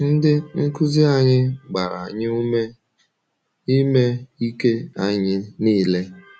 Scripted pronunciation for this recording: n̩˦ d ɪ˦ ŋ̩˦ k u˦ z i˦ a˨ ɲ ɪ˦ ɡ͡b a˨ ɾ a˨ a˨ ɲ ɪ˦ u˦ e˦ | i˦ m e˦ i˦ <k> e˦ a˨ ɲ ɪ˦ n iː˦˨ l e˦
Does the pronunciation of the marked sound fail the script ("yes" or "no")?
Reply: no